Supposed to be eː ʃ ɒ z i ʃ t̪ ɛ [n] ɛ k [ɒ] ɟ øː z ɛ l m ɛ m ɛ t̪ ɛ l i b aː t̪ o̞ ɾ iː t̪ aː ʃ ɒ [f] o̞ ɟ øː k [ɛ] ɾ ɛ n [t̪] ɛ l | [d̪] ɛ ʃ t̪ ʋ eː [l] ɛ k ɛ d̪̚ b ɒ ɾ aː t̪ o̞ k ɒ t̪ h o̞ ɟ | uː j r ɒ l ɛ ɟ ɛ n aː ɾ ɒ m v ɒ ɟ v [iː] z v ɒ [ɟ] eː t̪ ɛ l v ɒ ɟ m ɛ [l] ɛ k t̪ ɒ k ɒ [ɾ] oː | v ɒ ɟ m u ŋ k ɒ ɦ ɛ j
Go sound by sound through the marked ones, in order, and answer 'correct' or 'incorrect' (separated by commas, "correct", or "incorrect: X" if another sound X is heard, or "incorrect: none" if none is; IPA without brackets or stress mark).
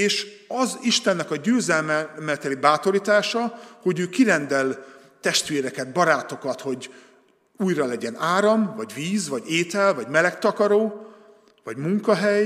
incorrect: nː, correct, incorrect: h, incorrect: i, incorrect: d̪, incorrect: t̪, incorrect: ɾ, correct, correct, correct, correct